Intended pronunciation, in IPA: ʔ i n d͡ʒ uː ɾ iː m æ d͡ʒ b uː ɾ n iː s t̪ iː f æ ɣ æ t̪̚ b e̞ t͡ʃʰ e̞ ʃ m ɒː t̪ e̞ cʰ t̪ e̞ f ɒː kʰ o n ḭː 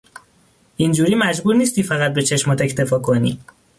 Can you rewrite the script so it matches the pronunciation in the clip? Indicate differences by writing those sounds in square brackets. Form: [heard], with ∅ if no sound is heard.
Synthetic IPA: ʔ i n d͡ʒ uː ɾ iː m æ d͡ʒ b uː ɾ n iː s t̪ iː f æ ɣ æ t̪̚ b e̞ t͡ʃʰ e̞ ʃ m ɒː t̪ e̞ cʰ t̪ e̞ f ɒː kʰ o n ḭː